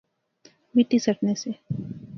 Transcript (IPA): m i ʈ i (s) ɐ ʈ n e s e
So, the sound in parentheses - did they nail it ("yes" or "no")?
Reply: yes